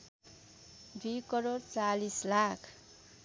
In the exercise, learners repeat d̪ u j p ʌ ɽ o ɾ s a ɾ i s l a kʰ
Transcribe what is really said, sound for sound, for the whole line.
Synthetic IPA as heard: d̪ u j k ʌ ɾ o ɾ t͡s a l i s l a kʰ